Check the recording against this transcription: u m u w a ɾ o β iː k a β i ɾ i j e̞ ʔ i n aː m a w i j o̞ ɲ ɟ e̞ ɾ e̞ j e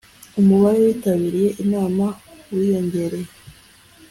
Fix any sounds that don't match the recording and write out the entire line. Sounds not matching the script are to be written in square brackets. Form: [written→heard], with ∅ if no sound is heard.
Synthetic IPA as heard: u m u [w→β] a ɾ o [β→w] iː [k→t] a β i ɾ i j e̞ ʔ i n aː m a w i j o̞ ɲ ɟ e̞ ɾ e̞ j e